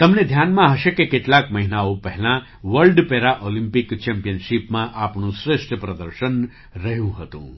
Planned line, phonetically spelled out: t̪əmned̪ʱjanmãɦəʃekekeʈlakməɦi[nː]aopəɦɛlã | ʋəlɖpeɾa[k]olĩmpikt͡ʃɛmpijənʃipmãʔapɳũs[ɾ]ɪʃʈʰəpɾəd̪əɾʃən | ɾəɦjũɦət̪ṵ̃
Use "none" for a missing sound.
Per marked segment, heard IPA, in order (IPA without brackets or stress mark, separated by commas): n, ʔ, ɾ